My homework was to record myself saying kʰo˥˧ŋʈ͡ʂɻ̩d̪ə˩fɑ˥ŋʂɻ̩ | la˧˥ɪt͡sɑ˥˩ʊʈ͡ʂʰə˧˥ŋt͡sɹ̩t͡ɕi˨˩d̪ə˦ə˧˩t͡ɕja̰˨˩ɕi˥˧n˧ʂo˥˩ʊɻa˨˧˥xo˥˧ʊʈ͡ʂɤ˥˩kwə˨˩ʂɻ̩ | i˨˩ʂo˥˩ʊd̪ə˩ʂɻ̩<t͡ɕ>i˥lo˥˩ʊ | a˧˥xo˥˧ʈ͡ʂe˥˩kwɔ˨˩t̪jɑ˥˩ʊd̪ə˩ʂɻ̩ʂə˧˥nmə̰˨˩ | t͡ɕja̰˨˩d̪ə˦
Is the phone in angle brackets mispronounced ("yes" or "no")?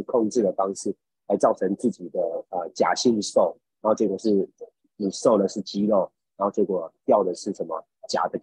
no